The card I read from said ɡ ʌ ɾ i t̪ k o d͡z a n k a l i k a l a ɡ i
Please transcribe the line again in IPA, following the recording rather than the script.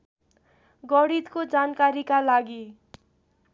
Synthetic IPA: ɡ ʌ ɽ i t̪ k o d͡z a n k a ɾ i k a l a ɡ i